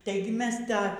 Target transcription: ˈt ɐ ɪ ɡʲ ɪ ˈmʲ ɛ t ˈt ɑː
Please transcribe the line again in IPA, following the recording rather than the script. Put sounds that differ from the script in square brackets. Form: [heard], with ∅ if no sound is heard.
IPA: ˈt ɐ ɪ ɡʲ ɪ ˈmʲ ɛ [s] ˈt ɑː